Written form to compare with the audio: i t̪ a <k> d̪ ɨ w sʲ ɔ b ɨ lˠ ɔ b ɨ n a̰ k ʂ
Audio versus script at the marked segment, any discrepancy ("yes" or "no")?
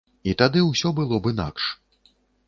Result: yes